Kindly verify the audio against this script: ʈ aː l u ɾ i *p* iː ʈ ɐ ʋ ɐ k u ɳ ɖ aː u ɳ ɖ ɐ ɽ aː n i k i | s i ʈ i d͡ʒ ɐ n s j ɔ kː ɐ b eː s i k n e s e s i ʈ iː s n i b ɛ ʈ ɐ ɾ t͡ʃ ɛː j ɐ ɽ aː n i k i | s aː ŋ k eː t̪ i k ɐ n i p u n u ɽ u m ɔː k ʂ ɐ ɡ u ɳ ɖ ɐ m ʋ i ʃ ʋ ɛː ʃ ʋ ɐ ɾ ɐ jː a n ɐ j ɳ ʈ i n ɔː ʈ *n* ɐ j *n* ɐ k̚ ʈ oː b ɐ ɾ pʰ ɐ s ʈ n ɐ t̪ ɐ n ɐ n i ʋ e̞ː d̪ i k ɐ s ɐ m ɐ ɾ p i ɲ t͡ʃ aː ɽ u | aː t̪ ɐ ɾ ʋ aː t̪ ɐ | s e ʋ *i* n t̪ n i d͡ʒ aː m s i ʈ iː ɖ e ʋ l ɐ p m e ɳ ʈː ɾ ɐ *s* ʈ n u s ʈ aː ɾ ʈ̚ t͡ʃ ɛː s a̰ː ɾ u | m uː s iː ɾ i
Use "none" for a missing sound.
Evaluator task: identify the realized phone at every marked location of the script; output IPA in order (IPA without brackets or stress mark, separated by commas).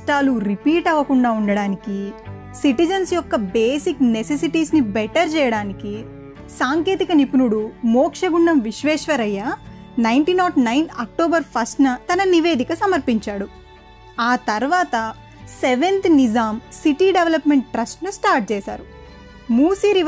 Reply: p, n, n, e, s